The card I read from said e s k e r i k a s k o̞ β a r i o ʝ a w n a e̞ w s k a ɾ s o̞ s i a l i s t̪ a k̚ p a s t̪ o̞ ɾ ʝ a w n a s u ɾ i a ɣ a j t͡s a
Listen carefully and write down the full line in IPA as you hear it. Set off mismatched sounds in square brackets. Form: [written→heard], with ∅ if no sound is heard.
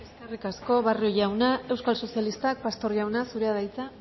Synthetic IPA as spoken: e s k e r i k a s k o̞ β a r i o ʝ a w n a e̞ w s k a [ɾ→l] s o̞ s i a l i s t̪ a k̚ p a s t̪ o̞ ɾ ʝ a w n a s u ɾ [i→e] a [ɣ→ð] a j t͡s a